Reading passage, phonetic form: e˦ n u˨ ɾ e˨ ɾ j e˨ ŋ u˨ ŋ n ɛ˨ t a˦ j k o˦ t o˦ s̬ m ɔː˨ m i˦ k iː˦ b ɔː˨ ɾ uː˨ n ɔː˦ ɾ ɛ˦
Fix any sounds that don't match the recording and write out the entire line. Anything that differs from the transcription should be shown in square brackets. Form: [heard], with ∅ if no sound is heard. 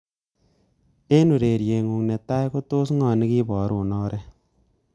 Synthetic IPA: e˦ n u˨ ɾ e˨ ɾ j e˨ ŋ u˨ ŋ n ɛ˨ t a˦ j k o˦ t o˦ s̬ [ŋ] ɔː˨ [n] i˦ k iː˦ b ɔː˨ ɾ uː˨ n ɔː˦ ɾ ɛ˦